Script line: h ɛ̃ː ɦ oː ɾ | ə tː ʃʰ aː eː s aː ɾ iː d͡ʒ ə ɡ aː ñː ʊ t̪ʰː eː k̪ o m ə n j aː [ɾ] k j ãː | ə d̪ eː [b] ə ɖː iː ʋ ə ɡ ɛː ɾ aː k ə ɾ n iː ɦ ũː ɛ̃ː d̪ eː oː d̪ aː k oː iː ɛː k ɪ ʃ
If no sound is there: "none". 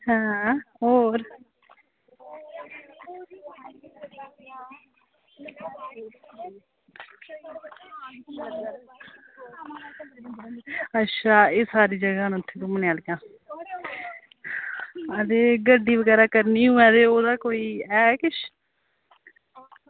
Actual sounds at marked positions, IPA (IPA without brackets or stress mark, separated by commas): l, ɡ